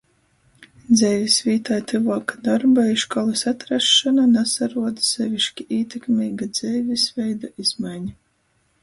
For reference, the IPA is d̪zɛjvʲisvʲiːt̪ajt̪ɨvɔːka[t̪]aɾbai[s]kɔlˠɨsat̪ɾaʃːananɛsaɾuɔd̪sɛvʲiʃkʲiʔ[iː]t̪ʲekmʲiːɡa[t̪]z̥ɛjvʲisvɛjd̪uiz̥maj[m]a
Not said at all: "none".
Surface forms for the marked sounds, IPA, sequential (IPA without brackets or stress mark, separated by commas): d̪, ʃ, iː, d̪, ɲ